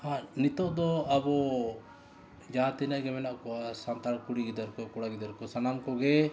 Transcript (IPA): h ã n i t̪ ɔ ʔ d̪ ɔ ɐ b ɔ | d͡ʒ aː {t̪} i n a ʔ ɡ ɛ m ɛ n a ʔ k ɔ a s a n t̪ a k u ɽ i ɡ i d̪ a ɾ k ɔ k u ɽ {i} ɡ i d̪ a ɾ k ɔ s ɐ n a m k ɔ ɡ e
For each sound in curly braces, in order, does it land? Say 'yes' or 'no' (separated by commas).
yes, no